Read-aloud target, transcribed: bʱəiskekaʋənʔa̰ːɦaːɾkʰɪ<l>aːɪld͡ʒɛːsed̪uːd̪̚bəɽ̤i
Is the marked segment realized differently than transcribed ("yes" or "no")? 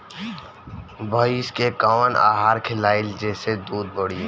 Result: no